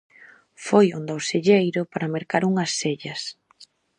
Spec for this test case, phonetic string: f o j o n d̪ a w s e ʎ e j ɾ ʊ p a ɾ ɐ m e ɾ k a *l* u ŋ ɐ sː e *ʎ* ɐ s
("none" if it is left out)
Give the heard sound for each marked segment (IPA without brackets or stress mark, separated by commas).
ɾ, ʎ